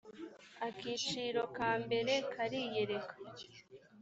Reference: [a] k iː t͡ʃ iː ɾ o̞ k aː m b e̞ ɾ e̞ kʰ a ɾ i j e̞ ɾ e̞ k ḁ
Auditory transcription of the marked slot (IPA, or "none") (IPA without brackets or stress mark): a